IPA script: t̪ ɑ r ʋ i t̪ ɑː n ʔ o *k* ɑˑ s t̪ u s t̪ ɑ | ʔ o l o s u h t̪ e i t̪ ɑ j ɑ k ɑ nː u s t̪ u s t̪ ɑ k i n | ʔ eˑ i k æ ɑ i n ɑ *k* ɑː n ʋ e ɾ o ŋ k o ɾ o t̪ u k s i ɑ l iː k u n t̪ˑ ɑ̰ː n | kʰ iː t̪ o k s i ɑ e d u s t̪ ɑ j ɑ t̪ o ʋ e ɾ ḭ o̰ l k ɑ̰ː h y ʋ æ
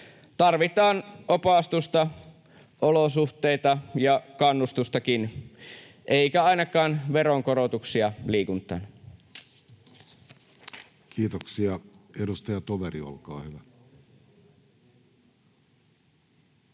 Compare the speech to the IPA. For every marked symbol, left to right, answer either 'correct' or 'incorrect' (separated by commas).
incorrect, correct